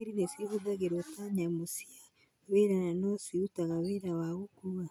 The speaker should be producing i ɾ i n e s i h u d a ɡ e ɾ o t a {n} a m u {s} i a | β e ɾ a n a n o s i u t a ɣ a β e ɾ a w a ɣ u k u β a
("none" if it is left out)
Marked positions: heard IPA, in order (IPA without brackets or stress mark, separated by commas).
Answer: ɲ, s